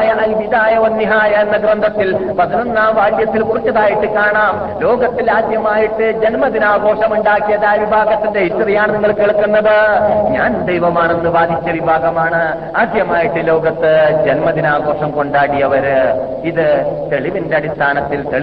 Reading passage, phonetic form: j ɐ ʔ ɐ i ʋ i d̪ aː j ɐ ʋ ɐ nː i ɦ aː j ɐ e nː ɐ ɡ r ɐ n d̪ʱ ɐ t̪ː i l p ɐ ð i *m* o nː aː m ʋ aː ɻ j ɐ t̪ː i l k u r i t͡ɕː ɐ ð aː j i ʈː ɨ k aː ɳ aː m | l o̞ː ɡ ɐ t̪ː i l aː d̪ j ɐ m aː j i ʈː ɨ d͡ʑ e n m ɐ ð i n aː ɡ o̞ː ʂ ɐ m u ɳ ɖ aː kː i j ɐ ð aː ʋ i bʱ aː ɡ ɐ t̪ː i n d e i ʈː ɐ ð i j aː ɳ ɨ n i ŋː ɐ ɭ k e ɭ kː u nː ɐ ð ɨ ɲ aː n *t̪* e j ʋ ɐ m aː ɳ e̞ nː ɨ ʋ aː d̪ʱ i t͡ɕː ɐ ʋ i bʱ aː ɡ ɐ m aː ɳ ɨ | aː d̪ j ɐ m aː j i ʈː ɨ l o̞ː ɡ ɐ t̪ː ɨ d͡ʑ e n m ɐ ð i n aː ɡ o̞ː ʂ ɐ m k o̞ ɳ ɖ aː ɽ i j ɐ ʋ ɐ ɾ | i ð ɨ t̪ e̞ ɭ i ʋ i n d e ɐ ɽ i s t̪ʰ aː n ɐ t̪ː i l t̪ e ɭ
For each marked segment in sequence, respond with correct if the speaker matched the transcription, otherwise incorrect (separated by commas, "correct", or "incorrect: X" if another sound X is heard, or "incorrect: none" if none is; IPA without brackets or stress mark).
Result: incorrect: n, incorrect: d̪